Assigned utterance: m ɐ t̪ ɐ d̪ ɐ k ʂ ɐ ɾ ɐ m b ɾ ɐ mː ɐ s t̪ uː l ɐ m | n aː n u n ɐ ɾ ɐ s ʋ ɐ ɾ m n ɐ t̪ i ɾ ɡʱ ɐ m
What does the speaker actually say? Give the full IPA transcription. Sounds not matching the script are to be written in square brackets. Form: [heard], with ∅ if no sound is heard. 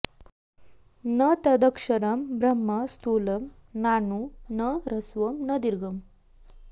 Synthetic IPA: [n] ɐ t̪ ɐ d̪ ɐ k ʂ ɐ ɾ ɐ m b ɾ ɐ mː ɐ s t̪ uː l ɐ m | n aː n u n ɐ ɾ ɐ s ʋ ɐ [∅] m n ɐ [d̪] i ɾ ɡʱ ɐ m